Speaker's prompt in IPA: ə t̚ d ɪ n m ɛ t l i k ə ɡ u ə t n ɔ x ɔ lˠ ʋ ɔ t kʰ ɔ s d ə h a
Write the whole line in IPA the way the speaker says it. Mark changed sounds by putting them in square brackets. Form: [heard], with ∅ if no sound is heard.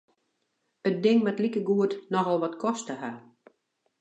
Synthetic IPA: ə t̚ d ɪ [ŋ] m ɛ t l i k ə ɡ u ə t n ɔ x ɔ lˠ ʋ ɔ t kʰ ɔ s [t] ə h a